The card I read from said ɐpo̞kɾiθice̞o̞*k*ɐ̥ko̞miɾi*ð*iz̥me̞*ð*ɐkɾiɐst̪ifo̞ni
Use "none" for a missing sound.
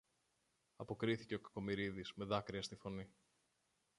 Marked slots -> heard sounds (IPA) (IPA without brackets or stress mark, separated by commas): k, ð, ð